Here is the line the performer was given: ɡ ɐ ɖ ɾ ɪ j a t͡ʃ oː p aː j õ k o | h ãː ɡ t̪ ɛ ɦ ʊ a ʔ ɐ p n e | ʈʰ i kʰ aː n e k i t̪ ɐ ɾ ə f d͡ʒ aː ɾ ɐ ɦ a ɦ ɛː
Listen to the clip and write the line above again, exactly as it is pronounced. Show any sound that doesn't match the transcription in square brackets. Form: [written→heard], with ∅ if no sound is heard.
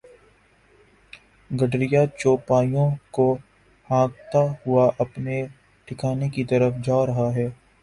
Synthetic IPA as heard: ɡ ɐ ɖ ɾ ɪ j a t͡ʃ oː p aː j õ k o | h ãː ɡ t̪ [ɛ→a] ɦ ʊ a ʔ ɐ p n e | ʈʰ [i→ɪ] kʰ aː n e k i t̪ ɐ ɾ ə f d͡ʒ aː ɾ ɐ ɦ a ɦ ɛː